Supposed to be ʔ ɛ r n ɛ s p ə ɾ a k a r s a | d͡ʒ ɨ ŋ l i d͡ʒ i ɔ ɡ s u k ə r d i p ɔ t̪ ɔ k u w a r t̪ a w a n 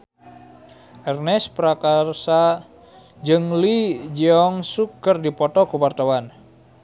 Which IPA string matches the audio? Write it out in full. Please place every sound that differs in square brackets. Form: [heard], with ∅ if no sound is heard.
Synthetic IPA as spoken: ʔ ɛ r n ɛ s p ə ɾ a k a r s a | d͡ʒ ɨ ŋ l i d͡ʒ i ɔ [ŋ] s u k ə r d i p ɔ t̪ ɔ k u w a r t̪ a w a n